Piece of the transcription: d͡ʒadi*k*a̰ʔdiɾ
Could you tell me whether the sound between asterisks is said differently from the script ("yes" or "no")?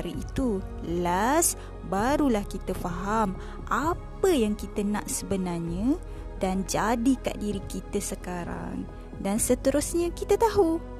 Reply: no